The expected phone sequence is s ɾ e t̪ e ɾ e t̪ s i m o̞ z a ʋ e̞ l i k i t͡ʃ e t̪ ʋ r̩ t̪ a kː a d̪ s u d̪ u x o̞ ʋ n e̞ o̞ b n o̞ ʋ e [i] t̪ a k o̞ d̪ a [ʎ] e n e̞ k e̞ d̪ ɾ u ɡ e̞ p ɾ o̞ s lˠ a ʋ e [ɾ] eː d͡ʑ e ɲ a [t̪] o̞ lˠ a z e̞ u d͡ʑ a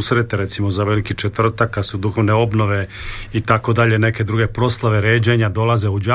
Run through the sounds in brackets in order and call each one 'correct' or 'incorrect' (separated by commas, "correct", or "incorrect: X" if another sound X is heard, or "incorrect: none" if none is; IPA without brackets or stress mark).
correct, correct, correct, incorrect: d̪